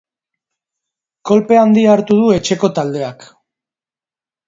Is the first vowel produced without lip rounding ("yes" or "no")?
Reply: no